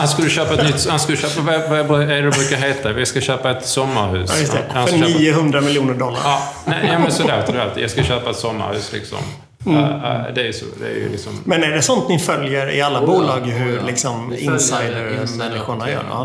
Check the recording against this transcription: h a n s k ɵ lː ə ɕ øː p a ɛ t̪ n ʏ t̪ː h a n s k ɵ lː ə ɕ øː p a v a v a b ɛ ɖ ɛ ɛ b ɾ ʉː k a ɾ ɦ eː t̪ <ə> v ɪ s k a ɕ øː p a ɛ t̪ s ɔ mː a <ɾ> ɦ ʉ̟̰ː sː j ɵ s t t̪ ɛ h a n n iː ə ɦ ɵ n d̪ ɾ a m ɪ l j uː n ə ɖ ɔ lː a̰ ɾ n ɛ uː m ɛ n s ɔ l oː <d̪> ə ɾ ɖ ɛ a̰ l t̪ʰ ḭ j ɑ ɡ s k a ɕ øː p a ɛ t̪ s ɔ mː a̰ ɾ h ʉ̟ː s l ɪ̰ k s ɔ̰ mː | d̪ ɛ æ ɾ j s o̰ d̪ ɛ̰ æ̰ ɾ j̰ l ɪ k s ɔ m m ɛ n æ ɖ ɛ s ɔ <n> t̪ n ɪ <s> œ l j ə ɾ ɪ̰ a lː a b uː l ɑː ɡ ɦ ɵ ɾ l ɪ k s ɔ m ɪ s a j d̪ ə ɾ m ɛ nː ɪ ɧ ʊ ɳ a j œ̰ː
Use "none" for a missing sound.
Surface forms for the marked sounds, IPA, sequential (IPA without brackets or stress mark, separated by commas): a, ɾ, t̪, n, f